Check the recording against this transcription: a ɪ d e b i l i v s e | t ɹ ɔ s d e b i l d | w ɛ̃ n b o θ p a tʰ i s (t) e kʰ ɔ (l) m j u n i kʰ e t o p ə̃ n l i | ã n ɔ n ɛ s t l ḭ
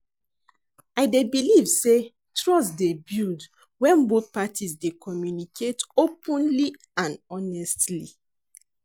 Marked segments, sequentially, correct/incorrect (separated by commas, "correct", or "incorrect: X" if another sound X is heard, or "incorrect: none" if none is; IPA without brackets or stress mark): incorrect: d, incorrect: none